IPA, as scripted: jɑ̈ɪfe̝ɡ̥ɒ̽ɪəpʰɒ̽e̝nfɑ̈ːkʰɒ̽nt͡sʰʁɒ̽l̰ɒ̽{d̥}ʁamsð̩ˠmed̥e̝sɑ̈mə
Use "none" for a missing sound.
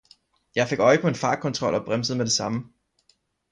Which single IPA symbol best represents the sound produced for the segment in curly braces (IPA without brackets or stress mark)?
b̥